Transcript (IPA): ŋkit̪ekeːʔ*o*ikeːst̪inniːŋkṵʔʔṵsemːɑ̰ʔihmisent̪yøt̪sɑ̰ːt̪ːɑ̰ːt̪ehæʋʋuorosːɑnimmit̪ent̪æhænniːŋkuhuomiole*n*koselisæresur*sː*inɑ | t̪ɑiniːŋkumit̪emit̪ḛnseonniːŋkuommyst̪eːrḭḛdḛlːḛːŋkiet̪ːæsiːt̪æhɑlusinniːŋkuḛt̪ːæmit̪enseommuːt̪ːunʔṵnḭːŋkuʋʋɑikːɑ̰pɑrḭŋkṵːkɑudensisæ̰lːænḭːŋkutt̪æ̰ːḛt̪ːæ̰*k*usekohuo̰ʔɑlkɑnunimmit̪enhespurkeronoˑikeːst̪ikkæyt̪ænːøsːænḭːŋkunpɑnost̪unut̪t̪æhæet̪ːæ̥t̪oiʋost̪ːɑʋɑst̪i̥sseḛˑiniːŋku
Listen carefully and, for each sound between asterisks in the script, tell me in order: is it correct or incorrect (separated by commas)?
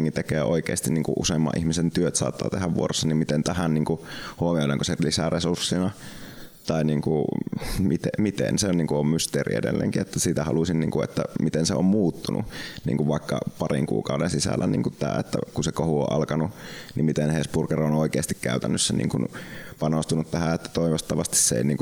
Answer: correct, incorrect, correct, correct